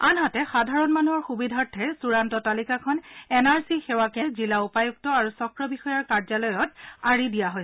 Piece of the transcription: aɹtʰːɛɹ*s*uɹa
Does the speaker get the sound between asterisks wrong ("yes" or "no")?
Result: no